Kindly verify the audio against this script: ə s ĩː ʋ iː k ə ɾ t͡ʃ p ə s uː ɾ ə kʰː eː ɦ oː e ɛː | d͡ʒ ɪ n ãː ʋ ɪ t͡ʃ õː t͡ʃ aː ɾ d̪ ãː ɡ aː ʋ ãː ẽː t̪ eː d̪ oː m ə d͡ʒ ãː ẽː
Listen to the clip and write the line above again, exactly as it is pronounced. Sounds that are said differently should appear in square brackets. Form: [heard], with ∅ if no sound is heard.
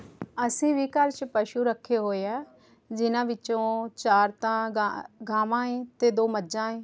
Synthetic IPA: ə s ĩː ʋ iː k ə ɾ t͡ʃ p ə [ʃ] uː ɾ ə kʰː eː ɦ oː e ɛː | d͡ʒ ɪ n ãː ʋ ɪ t͡ʃ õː t͡ʃ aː ɾ [t̪] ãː ɡ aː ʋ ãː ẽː t̪ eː d̪ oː m ə d͡ʒ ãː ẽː

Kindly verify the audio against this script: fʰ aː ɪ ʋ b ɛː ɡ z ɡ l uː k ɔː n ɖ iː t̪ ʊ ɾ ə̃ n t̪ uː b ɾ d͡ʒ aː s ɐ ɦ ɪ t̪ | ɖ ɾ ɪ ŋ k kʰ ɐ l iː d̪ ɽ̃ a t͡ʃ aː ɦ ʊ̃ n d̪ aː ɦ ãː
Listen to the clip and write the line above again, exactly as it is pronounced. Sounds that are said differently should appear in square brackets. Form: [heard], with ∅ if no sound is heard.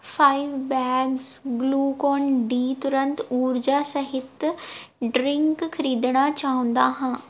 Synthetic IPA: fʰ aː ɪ ʋ b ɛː ɡ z ɡ l uː k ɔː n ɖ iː t̪ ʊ ɾ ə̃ n t̪ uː [∅] ɾ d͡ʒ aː s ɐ ɦ ɪ t̪ | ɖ ɾ ɪ ŋ k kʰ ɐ [ɾ] iː d̪ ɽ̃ a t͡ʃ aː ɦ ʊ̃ n d̪ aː ɦ ãː

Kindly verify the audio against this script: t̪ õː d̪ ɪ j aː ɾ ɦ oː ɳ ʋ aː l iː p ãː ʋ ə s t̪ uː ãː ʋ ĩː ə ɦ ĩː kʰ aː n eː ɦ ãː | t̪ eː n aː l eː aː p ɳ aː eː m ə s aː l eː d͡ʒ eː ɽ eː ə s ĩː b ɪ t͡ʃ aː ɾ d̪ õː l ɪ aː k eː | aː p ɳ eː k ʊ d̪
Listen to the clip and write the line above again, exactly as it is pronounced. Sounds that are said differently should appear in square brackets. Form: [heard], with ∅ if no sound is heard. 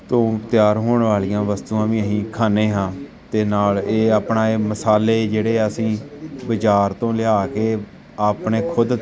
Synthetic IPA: t̪ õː [t̪] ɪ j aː ɾ ɦ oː ɳ ʋ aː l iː [∅] ãː ʋ ə s t̪ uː ãː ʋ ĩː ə ɦ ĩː kʰ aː n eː ɦ ãː | t̪ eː n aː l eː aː p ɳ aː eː m ə s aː l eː d͡ʒ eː ɽ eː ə s ĩː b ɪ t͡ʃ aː ɾ [t̪] õː l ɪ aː k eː | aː p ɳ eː [kʰ] ʊ d̪

